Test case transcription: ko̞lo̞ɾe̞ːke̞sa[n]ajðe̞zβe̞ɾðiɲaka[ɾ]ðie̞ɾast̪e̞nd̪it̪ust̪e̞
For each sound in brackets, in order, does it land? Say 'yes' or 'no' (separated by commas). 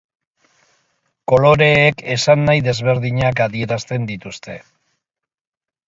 no, no